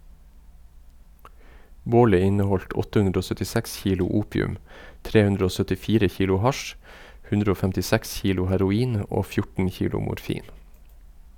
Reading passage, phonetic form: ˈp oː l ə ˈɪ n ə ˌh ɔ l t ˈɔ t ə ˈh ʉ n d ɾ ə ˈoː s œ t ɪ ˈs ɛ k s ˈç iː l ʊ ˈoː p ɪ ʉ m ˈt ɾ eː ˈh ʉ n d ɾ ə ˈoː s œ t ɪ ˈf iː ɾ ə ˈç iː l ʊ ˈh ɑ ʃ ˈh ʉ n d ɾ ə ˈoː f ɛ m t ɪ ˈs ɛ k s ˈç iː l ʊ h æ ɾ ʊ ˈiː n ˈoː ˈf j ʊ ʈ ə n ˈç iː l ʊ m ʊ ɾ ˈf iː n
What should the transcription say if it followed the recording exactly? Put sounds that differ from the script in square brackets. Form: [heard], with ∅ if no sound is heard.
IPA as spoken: [ˈb] oː l ə ˈɪ n ə ˌh ɔ l t ˈɔ t ə ˈh ʉ n d ɾ ə ˈoː s œ t ɪ ˈs ɛ k s ˈç iː l ʊ [ˈuː] p ɪ ʉ m ˈt ɾ eː ˈh ʉ n d ɾ ə ˈoː s œ t ɪ ˈf iː ɾ ə ˈç iː l ʊ ˈh ɑ ʃ ˈh ʉ n d ɾ ə ˈoː f ɛ m t ɪ ˈs ɛ k s ˈç iː l ʊ h æ ɾ ʊ ˈiː n ˈoː ˈf j ʊ ʈ ə n ˈç iː l ʊ m ʊ ɾ ˈf iː n